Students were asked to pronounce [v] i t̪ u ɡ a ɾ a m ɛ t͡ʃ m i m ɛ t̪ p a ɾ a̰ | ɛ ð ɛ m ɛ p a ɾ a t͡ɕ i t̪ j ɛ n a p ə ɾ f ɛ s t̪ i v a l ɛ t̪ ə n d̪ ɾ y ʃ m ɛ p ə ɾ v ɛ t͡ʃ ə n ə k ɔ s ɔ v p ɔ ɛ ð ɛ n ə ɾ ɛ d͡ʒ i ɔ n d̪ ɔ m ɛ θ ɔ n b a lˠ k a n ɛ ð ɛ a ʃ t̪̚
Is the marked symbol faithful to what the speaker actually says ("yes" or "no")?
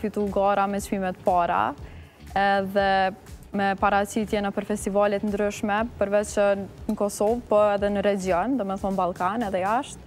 no